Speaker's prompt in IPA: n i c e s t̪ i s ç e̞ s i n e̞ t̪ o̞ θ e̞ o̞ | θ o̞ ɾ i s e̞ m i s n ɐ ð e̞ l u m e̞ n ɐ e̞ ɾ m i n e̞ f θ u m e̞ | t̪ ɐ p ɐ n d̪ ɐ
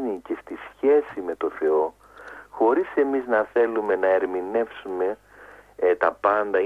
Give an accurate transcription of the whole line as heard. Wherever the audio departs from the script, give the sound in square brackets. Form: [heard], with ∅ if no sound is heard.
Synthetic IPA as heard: n i c e s t̪ i s ç e̞ s i [m] e̞ t̪ o̞ θ e̞ o̞ | [x] o̞ ɾ i s e̞ m i [z] n ɐ [θ] e̞ l u m e̞ n ɐ e̞ ɾ m i n e̞ f [s] u m e̞ | t̪ ɐ p ɐ n d̪ ɐ